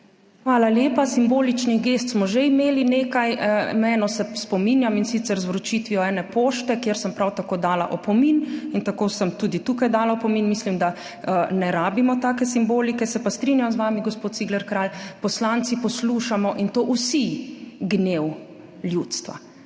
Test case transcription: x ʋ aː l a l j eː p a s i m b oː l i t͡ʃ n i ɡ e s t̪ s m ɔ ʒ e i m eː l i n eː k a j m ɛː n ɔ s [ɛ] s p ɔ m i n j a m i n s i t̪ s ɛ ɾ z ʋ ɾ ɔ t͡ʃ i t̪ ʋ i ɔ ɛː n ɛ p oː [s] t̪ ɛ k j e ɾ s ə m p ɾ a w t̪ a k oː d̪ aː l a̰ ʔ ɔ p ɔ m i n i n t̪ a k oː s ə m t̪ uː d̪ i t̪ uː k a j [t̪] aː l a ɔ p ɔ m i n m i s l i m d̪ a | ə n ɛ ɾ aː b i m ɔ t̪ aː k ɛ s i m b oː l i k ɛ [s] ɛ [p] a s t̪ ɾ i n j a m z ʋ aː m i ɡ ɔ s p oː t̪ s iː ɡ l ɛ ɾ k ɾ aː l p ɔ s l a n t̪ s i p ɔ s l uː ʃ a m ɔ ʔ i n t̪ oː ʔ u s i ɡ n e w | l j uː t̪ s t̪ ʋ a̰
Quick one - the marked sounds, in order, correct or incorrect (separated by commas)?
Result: correct, incorrect, incorrect, correct, correct